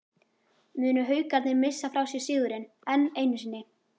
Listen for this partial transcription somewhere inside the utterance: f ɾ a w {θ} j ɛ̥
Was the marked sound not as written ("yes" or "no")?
yes